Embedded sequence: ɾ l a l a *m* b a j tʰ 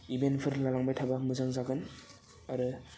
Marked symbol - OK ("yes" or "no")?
no